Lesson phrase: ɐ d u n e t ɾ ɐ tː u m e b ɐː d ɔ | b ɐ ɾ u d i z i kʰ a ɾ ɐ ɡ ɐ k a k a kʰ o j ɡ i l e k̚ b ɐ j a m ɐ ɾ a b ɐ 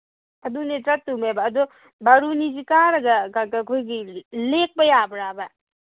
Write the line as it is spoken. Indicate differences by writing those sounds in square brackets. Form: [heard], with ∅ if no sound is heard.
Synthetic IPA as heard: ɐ d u n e t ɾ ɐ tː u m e b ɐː d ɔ | b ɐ ɾ u [n] i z i [k] a ɾ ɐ ɡ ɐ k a k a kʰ o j ɡ i l e k̚ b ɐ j a [b] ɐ ɾ a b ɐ